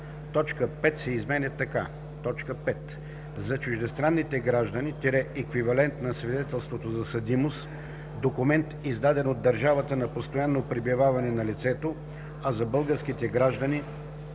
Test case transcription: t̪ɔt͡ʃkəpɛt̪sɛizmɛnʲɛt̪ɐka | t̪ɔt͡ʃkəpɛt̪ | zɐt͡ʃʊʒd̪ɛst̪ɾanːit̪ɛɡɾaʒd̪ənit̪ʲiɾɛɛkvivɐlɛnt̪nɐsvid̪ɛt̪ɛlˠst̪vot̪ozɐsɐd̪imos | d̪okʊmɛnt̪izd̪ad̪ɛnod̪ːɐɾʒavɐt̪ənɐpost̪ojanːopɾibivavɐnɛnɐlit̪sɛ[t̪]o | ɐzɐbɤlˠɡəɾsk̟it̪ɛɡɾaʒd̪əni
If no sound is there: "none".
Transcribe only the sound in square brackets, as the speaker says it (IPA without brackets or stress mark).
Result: t̪